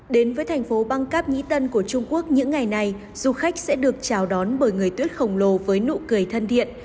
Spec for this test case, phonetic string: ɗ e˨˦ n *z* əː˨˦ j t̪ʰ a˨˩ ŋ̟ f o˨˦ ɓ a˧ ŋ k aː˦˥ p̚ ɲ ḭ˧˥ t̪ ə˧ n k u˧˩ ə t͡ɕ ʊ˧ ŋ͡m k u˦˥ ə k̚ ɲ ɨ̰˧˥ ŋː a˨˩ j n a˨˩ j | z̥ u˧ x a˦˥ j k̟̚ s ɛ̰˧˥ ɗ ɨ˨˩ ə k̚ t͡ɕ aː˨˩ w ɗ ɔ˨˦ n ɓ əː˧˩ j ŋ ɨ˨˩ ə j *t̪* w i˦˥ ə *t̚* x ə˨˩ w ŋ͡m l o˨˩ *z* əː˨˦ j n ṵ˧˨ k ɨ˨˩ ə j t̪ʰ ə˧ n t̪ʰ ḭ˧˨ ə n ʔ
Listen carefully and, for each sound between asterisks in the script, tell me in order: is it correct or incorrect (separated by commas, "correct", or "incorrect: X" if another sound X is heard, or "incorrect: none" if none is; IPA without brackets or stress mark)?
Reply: incorrect: v, correct, correct, incorrect: v